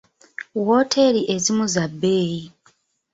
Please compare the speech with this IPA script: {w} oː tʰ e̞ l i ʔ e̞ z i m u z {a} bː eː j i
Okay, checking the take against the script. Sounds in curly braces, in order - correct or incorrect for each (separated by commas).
correct, correct